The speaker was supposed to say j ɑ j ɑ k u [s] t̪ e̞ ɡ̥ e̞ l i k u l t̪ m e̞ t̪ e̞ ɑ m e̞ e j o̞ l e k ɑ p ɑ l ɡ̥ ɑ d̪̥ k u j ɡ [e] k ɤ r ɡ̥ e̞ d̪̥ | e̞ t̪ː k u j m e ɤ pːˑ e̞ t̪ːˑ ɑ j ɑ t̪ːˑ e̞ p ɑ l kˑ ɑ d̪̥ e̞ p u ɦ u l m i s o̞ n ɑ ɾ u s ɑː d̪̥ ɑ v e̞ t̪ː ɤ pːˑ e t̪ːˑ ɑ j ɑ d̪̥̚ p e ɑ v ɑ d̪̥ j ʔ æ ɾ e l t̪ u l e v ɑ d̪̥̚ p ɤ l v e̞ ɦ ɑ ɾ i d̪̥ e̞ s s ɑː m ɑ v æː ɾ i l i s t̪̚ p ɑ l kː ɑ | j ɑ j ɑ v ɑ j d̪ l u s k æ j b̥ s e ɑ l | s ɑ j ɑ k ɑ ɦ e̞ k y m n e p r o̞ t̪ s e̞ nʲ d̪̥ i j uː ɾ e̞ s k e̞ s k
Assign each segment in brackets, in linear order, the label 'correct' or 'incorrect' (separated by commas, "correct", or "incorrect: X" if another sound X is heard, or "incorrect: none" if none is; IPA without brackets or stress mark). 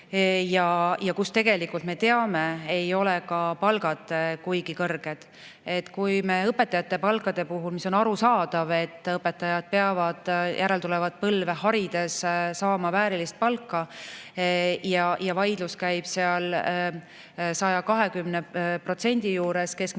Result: correct, incorrect: i